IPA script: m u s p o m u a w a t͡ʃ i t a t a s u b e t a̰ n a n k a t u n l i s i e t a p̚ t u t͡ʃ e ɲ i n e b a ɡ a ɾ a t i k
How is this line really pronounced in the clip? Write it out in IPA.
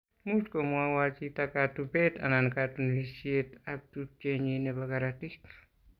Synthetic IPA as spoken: m u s k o m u a w a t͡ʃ i t a k a t u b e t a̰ n a n k a t u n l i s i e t a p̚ t u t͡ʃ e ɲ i n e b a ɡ a ɾ a t i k